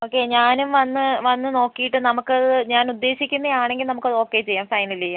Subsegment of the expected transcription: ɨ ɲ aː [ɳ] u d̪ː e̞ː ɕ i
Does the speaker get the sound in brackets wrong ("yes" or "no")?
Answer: yes